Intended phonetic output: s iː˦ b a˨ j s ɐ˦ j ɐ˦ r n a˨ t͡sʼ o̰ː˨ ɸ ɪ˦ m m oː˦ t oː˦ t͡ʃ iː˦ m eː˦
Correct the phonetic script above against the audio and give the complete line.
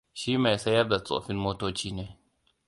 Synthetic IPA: ʃ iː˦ m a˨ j s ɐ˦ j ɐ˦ r d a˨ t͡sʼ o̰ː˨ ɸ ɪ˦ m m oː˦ t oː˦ t͡ʃ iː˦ n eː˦